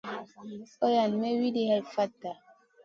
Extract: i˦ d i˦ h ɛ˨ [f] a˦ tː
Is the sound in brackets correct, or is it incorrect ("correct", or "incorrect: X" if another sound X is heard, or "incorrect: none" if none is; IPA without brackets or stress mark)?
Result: correct